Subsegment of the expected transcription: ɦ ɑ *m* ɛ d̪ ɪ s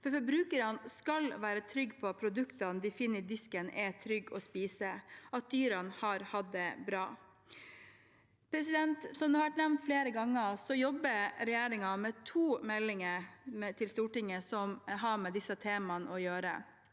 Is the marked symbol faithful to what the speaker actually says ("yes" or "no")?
yes